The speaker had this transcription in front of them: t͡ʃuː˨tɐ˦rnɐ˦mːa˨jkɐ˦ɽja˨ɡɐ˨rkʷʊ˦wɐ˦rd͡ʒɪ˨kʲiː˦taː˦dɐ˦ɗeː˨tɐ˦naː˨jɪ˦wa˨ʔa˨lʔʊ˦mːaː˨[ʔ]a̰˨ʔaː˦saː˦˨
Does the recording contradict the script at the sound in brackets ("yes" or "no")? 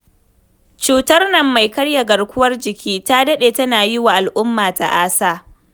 yes